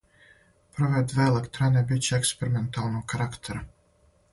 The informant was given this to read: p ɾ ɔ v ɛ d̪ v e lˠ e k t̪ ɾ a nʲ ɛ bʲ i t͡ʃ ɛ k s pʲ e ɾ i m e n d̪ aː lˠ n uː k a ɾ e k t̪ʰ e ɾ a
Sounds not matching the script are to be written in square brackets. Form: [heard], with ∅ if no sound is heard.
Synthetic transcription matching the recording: p ɾ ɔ v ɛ d̪ v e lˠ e k t̪ ɾ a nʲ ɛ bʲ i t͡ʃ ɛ k s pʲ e ɾ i m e n [t̪] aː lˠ n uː k a ɾ [a] k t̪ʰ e ɾ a

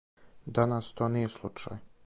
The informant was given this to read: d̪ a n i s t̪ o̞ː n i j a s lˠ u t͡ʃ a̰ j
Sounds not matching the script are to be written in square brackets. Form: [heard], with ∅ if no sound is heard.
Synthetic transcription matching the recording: d̪ a n [a] s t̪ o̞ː n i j [e] s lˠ u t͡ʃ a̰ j

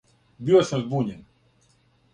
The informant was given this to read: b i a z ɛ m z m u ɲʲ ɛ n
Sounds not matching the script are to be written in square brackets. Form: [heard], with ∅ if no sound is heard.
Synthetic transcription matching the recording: b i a [s] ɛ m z [b] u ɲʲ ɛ n

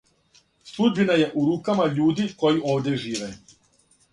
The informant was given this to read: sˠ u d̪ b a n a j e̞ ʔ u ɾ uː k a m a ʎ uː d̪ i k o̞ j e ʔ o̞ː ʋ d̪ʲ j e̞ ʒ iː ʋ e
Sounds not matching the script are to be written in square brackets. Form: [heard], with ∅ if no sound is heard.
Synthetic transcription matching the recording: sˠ u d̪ b [i] n a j e̞ ʔ u ɾ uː k a m a ʎ uː d̪ i k o̞ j [i] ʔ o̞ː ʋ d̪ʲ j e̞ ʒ iː ʋ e

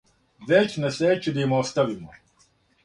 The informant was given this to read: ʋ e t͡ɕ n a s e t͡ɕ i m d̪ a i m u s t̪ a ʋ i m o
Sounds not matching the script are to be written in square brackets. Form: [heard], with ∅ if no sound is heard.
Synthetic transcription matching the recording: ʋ e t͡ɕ n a s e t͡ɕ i [∅] d̪ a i m [o] s t̪ a ʋ i m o

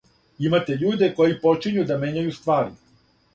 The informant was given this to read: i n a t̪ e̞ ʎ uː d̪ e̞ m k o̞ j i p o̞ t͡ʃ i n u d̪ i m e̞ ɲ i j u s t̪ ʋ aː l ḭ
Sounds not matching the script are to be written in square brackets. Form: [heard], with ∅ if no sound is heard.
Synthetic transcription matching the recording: i [m] a t̪ e̞ ʎ uː d̪ e̞ [∅] k o̞ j i p o̞ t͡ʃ i [ɲ] u d̪ [a] m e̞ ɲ [a] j u s t̪ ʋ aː [ɾ] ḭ

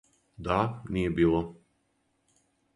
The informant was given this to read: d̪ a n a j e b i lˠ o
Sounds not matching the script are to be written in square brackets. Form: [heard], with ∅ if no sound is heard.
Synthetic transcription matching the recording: d̪ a n [i] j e b [iː] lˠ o

